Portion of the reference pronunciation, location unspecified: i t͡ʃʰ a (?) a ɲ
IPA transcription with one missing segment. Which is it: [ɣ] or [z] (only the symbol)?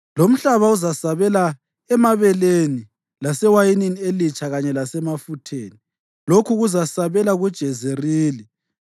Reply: ɣ